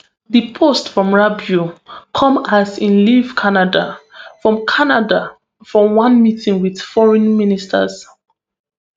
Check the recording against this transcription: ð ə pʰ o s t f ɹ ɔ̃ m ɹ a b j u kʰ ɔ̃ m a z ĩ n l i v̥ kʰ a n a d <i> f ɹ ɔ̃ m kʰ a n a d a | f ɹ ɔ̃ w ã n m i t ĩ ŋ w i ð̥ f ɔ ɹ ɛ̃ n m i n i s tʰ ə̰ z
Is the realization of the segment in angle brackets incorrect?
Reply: yes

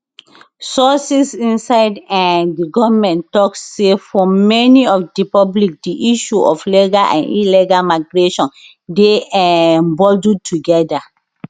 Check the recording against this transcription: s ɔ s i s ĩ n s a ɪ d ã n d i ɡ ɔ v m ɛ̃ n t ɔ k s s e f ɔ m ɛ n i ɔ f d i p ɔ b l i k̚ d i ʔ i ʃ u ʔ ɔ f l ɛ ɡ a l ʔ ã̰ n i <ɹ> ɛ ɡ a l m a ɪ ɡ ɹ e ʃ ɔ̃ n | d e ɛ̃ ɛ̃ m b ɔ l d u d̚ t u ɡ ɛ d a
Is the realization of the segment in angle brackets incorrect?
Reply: yes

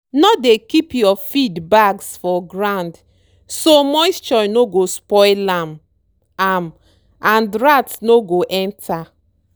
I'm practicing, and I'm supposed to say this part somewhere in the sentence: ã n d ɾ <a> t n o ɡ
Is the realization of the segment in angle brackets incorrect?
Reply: no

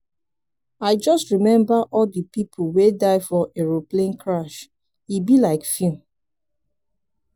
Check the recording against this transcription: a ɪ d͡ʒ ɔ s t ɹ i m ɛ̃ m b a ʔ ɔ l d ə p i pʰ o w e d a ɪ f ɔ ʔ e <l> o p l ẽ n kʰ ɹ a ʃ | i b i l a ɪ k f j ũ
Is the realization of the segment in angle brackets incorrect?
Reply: yes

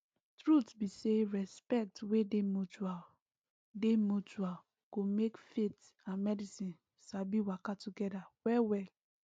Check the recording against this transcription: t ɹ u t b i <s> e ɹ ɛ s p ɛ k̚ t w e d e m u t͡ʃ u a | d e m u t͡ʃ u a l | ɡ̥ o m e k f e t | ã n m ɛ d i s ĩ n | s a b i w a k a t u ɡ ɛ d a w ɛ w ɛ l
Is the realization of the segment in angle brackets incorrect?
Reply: no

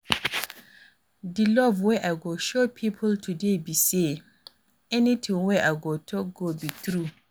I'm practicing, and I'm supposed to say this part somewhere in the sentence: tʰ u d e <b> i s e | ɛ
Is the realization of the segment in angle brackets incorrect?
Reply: no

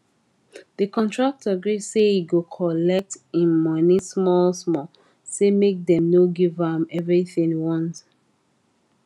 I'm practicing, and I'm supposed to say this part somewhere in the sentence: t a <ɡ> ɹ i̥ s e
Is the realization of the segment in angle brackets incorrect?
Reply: no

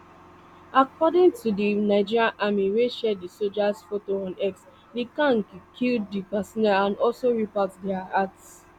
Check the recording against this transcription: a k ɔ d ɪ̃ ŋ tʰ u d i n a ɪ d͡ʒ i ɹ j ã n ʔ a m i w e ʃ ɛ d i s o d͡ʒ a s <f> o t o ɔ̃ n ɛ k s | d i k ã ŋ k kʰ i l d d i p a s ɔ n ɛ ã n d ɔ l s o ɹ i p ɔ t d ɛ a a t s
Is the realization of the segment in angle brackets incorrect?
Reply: no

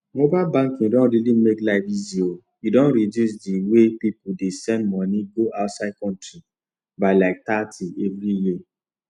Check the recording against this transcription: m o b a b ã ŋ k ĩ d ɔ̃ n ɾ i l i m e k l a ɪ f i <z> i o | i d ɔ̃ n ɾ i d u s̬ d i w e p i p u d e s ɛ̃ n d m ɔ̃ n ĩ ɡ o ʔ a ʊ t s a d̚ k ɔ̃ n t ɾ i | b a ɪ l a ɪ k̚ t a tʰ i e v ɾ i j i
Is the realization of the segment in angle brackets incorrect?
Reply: no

